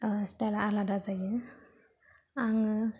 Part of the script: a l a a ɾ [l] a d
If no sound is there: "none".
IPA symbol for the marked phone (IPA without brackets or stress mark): l